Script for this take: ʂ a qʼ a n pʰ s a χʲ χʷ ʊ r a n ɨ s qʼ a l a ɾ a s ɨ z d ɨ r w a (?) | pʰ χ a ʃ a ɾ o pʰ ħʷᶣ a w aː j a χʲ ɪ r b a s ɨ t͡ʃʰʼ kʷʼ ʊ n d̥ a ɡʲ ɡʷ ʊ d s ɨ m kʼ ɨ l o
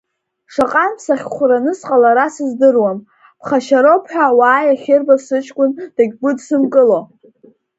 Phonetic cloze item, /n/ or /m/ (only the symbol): m